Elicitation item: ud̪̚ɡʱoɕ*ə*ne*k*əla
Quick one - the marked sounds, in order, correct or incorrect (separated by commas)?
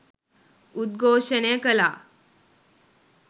correct, correct